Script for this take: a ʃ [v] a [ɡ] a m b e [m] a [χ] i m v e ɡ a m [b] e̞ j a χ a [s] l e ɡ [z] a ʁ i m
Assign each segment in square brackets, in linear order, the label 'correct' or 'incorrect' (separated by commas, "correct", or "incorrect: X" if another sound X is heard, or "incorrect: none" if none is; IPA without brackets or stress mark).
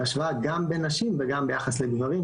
correct, correct, incorrect: n, incorrect: ʃ, correct, correct, incorrect: v